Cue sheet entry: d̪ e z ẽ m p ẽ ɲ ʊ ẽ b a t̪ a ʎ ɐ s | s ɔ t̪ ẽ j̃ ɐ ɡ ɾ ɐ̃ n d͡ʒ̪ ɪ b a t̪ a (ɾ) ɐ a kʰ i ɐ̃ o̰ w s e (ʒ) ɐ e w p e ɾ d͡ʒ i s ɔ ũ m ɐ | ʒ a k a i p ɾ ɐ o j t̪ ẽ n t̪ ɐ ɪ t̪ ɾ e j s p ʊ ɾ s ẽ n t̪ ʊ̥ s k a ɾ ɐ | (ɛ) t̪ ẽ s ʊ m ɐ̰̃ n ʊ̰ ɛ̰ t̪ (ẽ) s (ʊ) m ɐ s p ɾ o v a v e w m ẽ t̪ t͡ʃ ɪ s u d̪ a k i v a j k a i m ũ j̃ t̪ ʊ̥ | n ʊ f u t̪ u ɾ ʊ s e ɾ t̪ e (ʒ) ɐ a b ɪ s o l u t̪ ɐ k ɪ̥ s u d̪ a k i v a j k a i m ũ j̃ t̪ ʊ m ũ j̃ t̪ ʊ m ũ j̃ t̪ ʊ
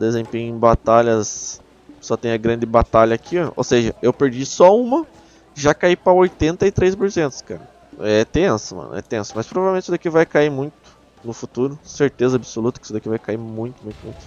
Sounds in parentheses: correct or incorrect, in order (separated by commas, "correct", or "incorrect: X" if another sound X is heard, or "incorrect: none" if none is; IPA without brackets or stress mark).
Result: incorrect: ʎ, correct, correct, correct, correct, incorrect: z